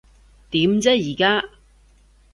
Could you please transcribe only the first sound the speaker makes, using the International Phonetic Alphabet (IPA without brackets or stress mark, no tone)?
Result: t̪